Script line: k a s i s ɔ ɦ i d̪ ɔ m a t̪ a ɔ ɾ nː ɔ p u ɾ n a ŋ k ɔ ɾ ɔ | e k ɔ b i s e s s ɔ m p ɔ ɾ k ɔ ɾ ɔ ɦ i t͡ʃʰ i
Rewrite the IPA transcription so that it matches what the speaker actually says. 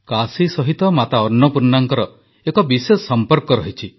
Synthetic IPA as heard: k a s i s ɔ ɦ i t̪ ɔ m a t̪ a ɔ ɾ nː ɔ p u ɾ n a ŋ k ɔ ɾ ɔ | e k ɔ b i s e s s ɔ m p ɔ ɾ k ɔ ɾ ɔ ɦ i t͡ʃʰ i